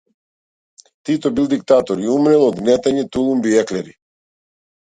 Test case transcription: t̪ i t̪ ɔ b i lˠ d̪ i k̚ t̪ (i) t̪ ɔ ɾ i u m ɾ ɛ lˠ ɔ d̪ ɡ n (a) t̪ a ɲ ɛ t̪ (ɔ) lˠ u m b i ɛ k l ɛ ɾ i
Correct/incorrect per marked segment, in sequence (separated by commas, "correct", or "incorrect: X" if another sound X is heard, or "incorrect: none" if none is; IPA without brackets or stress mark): incorrect: a, incorrect: ɛ, incorrect: u